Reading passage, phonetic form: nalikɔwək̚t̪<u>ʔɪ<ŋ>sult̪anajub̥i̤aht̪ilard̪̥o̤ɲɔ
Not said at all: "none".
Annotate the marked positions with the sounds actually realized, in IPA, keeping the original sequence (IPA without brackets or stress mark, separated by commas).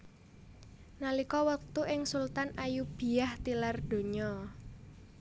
u, ŋ